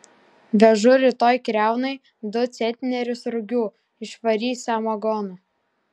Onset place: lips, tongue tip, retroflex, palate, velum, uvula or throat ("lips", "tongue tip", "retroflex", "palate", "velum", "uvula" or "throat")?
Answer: lips